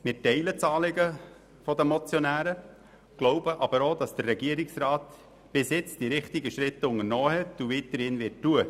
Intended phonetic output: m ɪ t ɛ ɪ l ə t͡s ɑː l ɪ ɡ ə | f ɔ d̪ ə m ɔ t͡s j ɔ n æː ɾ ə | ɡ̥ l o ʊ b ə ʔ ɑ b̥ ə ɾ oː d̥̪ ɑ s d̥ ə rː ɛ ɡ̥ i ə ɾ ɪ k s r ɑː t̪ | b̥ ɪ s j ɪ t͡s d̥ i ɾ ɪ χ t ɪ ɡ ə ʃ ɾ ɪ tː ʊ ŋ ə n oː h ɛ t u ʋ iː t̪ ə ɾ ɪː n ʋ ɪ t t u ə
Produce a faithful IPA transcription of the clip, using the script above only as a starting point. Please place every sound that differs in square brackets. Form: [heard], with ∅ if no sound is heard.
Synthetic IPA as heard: m ɪ t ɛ ɪ l ə t͡s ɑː l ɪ ɡ ə | f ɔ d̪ ə m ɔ t͡s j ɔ n æː ɾ ə | ɡ̥ l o ʊ b ə ʔ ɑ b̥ ə ɾ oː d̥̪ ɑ s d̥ ə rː ɛ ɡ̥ i ə ɾ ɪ k s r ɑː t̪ | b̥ ɪ s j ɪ t͡s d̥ i ɾ ɪ χ t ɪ ɡ ə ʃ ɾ ɪ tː ʊ ŋ ə n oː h ɛ t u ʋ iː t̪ ə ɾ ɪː n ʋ ɪ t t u ə